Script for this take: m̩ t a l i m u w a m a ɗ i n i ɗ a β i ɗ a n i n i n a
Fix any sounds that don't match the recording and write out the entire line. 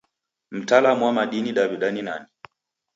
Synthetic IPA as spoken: m̩ t a l a m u w a m a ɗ i n i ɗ a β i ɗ a n i n a n i